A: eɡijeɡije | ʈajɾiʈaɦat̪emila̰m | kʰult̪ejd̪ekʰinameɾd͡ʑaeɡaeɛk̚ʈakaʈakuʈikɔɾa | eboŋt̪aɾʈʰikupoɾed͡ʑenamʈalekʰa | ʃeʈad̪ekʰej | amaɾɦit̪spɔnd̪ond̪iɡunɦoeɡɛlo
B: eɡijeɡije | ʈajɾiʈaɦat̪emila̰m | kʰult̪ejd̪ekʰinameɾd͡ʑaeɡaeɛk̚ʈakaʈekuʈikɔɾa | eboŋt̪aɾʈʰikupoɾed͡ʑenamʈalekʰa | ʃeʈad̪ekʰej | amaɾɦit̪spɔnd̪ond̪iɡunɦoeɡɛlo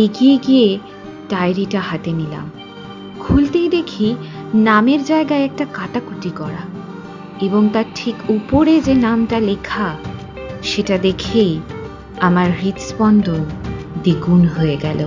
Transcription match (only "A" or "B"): A